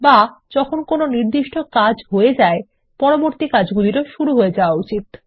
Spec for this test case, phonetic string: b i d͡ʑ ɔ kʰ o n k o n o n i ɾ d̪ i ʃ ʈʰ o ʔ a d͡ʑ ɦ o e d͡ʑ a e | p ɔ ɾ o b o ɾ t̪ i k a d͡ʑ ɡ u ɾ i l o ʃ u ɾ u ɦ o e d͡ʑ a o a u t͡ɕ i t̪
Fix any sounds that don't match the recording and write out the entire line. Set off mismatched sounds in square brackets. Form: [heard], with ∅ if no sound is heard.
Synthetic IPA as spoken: b [a] d͡ʑ ɔ kʰ o n k o n o n i ɾ d̪ i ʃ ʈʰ o [k] a d͡ʑ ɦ o e d͡ʑ a e | p ɔ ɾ o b o ɾ t̪ i k a d͡ʑ ɡ u [l] i [ɾ] o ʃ u ɾ u ɦ o e d͡ʑ a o a u t͡ɕ i t̪